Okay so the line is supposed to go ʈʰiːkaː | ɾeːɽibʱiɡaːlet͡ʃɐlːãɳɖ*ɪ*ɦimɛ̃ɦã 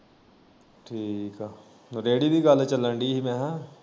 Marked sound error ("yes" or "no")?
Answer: yes